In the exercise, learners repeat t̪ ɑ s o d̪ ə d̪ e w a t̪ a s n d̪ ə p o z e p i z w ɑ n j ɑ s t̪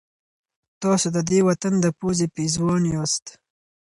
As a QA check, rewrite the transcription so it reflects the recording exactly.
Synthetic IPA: t̪ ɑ s o d̪ ə d̪ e w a t̪ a n d̪ ə p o z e p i z w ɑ n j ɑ s t̪